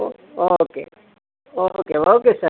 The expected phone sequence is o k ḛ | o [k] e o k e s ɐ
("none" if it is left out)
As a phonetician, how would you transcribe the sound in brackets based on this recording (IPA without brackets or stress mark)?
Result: k